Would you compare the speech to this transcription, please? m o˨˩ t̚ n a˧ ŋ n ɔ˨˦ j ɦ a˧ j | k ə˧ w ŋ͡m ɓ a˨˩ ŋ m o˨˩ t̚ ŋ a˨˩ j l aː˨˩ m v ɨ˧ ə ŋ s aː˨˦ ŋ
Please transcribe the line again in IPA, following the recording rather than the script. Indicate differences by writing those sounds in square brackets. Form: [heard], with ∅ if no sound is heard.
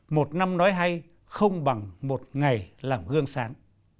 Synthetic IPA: m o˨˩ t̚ n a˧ [m] n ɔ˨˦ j ɦ a˧ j | [x] ə˧ w ŋ͡m ɓ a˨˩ ŋ m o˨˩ t̚ ŋ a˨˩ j l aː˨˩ m [ɣ] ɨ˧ ə ŋ s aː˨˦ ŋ